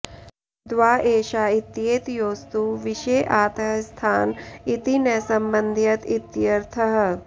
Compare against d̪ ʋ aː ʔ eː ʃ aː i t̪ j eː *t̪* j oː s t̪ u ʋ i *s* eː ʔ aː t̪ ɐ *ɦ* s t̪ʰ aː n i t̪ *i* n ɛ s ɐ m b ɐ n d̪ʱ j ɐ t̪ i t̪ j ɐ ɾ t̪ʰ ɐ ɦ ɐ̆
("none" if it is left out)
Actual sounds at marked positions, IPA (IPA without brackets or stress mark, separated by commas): t̪, ʃ, ɦ, i